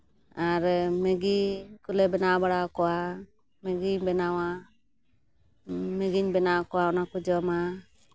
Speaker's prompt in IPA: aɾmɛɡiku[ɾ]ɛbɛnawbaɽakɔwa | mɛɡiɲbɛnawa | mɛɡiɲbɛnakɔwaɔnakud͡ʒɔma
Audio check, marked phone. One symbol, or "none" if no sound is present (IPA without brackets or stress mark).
l